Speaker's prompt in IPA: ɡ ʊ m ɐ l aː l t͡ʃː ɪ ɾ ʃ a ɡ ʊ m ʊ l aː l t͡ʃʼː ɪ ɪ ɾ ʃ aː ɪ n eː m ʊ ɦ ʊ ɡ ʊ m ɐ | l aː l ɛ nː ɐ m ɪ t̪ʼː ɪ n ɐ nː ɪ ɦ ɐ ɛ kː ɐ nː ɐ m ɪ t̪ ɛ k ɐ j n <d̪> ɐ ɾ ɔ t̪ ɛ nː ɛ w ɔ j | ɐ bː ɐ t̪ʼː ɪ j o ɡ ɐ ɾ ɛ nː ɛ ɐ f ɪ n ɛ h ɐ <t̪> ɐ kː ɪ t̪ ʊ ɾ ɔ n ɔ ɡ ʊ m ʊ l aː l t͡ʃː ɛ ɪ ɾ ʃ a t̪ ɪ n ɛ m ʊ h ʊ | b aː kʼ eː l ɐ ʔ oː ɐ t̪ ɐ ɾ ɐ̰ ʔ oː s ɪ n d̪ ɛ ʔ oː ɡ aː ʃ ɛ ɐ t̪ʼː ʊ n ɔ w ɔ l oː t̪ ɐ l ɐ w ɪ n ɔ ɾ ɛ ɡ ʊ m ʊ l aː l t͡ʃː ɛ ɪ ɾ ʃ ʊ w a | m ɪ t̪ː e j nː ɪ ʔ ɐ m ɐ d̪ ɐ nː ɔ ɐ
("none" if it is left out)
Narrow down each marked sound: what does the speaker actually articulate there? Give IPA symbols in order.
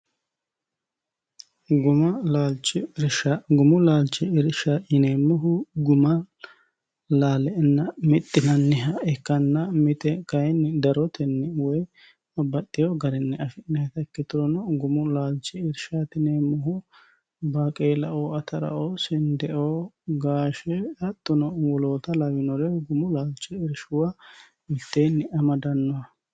d̪, t̪

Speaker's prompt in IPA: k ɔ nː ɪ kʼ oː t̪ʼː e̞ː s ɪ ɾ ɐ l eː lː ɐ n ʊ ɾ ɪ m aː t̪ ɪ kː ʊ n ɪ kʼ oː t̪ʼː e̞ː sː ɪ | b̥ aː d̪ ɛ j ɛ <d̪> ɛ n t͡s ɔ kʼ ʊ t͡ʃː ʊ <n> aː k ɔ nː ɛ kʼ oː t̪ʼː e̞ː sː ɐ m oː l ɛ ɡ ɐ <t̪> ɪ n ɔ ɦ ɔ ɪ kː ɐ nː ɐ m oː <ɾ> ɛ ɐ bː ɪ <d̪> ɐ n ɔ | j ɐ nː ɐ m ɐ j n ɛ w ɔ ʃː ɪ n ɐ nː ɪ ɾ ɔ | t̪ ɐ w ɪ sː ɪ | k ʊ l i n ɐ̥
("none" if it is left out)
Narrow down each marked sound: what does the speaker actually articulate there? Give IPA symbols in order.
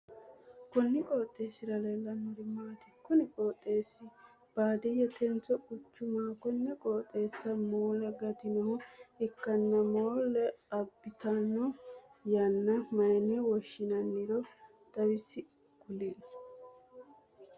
t̪, m, t̪, l, t̪

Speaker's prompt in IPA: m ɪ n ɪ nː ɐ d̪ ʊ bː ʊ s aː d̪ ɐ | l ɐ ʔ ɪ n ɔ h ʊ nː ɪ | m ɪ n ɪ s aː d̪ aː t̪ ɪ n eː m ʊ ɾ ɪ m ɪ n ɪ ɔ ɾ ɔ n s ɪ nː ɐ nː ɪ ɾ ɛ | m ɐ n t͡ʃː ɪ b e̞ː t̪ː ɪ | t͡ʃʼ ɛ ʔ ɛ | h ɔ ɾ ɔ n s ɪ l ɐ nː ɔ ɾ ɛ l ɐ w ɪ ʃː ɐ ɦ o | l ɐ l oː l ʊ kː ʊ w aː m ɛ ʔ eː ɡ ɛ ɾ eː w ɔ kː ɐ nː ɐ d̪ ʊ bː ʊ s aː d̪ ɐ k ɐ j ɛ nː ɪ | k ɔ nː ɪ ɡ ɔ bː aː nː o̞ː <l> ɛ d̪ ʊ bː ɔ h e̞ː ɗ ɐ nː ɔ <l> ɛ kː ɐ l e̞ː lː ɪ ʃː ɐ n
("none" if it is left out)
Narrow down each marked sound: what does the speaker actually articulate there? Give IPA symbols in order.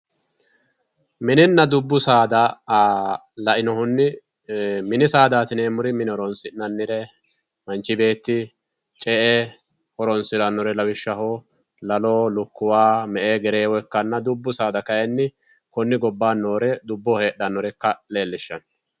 ɾ, ɾ

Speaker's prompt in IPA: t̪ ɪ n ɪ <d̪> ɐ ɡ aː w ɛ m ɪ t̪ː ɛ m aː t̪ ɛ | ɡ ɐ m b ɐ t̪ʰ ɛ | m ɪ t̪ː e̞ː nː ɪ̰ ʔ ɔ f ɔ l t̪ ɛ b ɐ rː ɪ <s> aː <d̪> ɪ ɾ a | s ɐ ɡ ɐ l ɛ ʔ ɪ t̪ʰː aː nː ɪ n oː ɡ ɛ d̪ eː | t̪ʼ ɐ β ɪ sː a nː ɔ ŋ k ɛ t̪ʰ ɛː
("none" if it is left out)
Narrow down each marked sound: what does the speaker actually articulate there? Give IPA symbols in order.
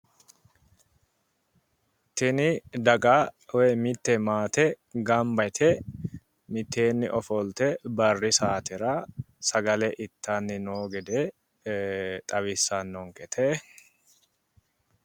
d̪, s, t̪

